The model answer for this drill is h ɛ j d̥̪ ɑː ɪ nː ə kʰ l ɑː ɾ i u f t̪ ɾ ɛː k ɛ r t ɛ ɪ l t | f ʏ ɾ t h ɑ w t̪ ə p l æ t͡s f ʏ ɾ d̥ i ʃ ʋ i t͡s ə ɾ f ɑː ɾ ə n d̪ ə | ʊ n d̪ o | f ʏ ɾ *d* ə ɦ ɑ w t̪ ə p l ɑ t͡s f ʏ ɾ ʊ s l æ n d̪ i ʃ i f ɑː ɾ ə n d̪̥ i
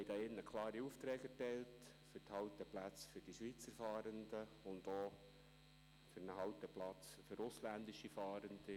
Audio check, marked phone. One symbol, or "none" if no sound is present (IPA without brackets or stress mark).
n